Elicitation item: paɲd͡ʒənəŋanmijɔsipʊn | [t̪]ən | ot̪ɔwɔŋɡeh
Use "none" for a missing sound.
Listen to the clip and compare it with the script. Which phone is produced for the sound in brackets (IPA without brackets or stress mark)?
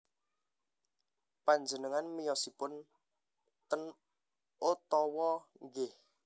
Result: t̪